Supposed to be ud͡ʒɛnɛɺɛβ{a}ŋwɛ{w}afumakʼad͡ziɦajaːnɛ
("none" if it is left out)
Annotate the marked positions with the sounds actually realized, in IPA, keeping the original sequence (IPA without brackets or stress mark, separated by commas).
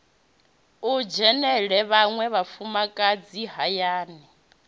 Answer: a, β